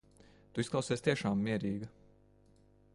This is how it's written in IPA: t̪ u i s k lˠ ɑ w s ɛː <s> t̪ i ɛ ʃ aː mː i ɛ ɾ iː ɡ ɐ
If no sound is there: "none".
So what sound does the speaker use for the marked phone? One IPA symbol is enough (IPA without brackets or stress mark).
s